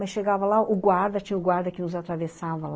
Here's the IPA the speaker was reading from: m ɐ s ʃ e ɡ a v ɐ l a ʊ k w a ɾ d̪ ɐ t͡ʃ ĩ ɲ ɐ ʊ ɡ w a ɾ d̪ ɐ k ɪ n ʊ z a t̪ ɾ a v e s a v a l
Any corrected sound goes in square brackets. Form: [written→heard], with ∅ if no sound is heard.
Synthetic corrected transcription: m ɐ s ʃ e ɡ a v ɐ l a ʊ [k→ɡ] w a ɾ d̪ ɐ t͡ʃ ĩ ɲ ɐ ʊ ɡ w a ɾ d̪ ɐ k ɪ n ʊ z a t̪ ɾ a v e s a v [a→ɐ] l